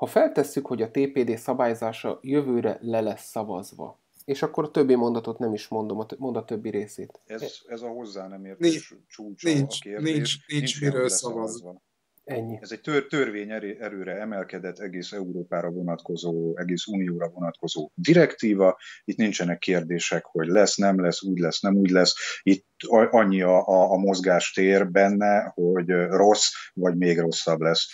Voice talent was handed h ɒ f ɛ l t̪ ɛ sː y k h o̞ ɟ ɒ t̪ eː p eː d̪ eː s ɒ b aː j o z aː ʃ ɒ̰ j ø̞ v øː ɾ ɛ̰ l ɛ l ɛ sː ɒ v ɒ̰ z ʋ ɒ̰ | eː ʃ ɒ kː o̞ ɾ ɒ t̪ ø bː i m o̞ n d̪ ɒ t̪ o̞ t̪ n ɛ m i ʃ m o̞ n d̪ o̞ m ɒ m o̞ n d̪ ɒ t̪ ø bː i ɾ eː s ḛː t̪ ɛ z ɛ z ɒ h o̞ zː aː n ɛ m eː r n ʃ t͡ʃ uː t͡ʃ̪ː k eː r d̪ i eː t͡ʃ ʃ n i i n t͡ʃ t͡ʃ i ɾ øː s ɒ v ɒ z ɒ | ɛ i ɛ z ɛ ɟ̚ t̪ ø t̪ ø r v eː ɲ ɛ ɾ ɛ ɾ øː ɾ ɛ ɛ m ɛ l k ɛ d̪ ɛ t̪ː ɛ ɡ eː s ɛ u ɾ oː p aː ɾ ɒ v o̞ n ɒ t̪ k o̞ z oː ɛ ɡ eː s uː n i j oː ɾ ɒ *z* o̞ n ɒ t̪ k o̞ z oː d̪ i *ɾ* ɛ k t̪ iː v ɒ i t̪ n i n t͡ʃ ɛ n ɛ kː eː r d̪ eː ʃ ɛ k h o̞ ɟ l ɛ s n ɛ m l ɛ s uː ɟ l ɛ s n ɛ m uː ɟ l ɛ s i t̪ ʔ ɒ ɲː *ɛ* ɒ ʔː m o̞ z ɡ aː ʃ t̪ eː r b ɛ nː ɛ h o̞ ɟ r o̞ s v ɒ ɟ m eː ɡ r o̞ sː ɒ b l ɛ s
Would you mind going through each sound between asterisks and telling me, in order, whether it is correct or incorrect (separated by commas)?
incorrect, correct, incorrect